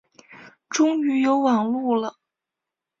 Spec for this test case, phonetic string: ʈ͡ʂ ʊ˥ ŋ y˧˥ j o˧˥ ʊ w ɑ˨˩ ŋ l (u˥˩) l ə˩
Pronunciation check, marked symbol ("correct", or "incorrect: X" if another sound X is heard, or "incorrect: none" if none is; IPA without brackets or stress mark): correct